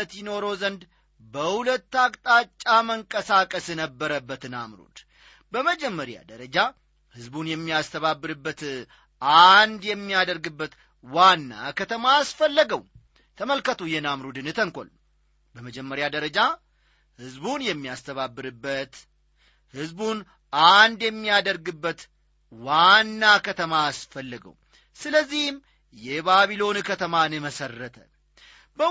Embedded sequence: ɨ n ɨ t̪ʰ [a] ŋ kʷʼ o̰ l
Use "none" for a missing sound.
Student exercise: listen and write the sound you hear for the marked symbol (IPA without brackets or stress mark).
ə